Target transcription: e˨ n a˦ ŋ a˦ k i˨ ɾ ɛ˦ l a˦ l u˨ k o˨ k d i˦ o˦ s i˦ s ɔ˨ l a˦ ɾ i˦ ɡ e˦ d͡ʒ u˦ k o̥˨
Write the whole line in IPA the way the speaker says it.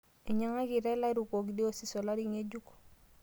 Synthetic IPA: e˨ ɲ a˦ ŋ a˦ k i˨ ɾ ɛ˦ l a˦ ɾ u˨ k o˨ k d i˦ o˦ s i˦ s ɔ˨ l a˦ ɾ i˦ ŋ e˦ d͡ʒ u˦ k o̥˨